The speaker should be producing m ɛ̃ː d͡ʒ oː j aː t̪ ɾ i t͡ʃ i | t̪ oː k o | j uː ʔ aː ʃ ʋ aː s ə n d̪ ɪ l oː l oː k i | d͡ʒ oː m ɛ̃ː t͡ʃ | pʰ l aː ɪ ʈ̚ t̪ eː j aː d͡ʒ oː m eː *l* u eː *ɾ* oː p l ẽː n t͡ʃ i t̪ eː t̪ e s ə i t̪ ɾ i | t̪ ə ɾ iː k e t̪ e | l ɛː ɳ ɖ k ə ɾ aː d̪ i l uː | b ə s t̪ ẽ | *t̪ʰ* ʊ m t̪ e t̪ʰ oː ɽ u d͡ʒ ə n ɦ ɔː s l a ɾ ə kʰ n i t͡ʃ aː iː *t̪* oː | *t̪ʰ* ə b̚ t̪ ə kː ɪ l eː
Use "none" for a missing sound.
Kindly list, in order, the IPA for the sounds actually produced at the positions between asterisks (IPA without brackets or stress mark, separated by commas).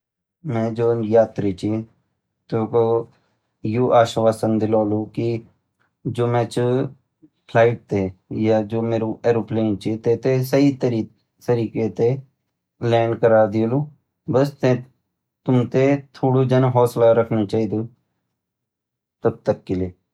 ɾ, ɾ, t̪, d̪, t̪